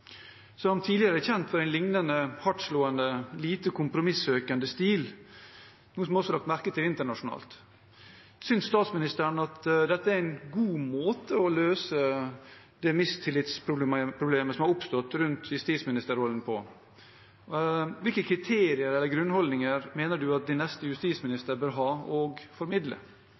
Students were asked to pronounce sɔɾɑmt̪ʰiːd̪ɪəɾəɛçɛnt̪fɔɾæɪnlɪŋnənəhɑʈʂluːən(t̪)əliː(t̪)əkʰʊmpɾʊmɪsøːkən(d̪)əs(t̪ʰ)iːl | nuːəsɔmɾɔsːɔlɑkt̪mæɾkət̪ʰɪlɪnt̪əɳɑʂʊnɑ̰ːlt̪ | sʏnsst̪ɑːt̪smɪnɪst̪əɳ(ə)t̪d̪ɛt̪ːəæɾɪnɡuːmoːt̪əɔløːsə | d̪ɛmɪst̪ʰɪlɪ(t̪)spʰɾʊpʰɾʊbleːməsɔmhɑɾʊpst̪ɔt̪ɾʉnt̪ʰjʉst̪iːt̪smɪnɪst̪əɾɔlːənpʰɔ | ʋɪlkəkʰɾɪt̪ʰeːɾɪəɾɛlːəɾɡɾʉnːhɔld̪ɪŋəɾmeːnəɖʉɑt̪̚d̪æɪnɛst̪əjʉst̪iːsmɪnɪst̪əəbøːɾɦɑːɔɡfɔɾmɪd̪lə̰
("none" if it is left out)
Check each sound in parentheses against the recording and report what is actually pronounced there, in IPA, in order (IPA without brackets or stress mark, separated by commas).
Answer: d̪, t̪, d̪, t̪, ɑ, t̪